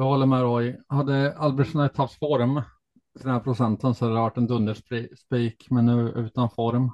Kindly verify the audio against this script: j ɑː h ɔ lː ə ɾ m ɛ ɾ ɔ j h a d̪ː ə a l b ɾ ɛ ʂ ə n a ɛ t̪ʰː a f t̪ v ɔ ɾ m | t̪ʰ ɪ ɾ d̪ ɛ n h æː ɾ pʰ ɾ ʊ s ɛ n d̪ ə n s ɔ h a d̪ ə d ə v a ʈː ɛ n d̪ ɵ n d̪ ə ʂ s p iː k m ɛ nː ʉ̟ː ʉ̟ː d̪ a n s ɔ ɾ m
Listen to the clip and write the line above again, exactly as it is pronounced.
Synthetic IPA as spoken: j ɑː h ɔ lː ə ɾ m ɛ ɾ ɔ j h a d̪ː ə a l b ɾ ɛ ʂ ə n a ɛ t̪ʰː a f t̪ f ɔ ɾ m | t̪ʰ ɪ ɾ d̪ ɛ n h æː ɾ pʰ ɾ ʊ s ɛ n t̪ ə n s ɔ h a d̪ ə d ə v a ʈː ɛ n d̪ ɵ n d̪ ə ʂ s p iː k m ɛ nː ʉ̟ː ʉ̟ː t̪ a n f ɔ ɾ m